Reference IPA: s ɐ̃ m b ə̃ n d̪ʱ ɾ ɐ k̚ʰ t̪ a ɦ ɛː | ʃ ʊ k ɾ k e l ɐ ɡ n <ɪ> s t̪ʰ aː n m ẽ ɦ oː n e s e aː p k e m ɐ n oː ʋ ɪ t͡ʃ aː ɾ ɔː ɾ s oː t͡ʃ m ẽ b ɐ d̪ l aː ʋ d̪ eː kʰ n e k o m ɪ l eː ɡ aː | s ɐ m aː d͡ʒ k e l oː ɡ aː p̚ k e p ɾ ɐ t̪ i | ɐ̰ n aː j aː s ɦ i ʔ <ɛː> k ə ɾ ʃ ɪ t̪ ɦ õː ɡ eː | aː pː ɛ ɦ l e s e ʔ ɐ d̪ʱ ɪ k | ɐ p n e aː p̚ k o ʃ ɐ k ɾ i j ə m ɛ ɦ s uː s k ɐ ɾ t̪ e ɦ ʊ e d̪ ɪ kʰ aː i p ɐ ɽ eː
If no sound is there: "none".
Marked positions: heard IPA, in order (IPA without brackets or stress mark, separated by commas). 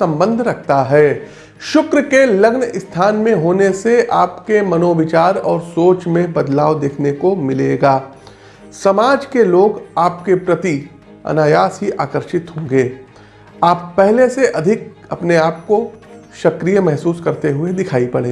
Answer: ɪ, aː